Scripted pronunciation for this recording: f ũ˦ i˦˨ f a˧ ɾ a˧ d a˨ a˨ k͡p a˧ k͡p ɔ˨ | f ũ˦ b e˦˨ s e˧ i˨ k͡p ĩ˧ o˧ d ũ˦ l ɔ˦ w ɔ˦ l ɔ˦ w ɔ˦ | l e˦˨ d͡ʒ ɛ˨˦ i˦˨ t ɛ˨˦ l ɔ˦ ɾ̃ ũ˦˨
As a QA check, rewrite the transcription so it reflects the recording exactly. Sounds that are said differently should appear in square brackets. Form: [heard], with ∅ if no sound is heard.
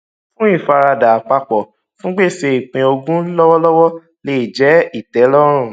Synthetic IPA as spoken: f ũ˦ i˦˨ f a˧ ɾ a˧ d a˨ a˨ k͡p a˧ k͡p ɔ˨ | f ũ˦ [ɡ͡b] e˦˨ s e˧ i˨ k͡p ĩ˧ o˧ [ɡ] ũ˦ l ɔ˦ w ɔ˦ l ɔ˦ w ɔ˦ | l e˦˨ d͡ʒ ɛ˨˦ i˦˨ t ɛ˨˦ l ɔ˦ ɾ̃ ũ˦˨